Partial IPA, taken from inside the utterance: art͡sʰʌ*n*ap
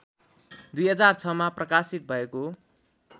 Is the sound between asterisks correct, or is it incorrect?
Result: incorrect